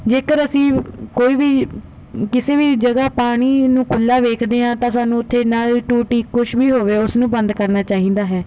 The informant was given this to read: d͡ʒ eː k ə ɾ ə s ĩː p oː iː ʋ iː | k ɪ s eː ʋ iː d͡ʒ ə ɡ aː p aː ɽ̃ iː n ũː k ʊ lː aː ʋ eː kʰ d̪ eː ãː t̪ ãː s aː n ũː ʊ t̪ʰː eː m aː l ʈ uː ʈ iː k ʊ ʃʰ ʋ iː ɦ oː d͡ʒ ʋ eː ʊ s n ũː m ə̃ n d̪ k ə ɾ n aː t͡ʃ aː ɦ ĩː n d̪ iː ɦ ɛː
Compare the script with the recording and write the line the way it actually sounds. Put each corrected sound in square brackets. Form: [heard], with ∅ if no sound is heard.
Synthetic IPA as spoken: d͡ʒ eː k ə ɾ ə s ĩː [k] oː iː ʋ iː | k ɪ s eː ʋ iː d͡ʒ ə ɡ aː p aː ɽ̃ iː n ũː k ʊ lː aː ʋ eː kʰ d̪ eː ãː t̪ ãː s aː n ũː ʊ t̪ʰː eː [n] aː l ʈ uː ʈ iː k ʊ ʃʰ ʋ iː ɦ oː [∅] ʋ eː ʊ s n ũː [b] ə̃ n d̪ k ə ɾ n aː t͡ʃ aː ɦ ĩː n d̪ [aː] ɦ ɛː